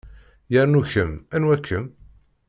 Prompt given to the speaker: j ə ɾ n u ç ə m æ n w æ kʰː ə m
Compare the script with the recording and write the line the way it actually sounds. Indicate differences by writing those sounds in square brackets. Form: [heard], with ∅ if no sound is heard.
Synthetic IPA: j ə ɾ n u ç ə m æ n w æ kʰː ə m